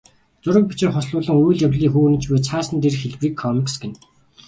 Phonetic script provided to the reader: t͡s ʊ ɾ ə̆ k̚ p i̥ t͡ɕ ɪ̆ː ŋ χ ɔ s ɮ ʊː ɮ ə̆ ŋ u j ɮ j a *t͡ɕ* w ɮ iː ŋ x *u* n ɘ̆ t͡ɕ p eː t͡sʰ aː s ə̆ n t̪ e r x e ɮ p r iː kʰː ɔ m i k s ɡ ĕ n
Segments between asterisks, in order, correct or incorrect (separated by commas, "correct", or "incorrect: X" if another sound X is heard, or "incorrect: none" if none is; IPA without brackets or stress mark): incorrect: none, incorrect: uː